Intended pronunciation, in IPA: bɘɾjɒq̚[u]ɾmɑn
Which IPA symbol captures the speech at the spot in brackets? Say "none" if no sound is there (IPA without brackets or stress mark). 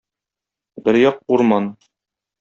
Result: u